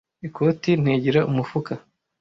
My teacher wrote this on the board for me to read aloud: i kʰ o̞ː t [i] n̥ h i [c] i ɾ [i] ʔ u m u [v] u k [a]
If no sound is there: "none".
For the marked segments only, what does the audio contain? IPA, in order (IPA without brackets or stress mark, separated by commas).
i, ɟ, a, f, a